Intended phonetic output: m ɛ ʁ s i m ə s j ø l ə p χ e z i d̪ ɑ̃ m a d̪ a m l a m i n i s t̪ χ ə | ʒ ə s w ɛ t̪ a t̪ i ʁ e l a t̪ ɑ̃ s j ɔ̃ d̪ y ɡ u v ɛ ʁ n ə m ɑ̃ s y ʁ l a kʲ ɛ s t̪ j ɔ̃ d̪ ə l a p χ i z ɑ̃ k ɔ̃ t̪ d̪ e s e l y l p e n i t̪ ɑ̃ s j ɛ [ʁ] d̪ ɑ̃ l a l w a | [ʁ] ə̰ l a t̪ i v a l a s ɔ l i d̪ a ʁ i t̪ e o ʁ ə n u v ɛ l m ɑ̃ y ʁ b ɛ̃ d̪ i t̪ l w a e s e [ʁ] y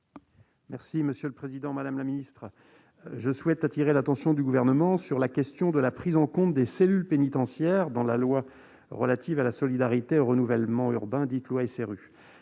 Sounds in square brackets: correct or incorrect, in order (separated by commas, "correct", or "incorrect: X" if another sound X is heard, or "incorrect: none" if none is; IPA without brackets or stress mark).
correct, correct, correct